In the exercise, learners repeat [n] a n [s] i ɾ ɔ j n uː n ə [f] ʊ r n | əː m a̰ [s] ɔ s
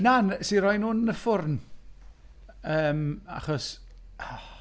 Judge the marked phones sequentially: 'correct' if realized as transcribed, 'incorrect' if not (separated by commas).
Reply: correct, correct, correct, incorrect